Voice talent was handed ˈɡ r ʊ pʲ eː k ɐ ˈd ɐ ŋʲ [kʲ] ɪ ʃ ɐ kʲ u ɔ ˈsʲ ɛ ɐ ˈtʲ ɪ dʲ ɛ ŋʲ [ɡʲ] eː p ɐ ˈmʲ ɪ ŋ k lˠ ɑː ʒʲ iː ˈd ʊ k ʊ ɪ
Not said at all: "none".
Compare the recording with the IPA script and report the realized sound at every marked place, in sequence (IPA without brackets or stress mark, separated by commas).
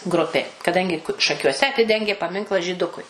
ɡʲ, ɡʲ